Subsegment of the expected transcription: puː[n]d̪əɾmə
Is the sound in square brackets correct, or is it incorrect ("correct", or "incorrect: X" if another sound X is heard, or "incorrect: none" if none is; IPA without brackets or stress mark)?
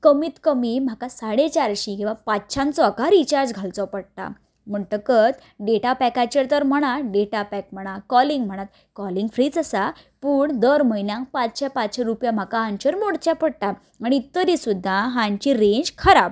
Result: incorrect: ɳ